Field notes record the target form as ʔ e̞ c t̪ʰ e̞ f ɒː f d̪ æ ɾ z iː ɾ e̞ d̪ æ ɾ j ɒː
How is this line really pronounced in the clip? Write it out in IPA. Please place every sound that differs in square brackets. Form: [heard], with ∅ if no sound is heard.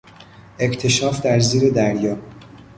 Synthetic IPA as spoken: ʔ e̞ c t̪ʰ e̞ [ʃ] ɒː f d̪ æ ɾ z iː ɾ e̞ d̪ æ ɾ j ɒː